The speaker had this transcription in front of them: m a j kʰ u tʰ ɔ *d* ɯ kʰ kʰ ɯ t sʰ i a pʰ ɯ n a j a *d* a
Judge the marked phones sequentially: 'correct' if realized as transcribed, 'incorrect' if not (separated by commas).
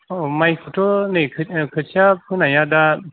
incorrect, correct